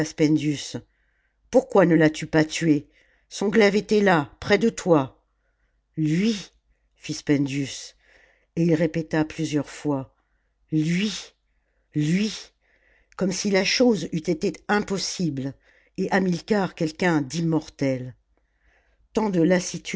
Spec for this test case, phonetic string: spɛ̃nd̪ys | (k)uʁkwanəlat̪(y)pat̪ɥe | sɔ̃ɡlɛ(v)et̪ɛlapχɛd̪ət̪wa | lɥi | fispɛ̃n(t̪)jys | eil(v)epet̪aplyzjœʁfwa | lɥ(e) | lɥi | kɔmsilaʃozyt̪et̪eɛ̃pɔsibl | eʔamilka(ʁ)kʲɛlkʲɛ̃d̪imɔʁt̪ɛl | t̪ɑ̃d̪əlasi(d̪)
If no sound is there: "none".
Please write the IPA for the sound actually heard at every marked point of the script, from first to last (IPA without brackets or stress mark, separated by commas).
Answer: p, y, v, d̪, ʁ, i, ʁ, t̪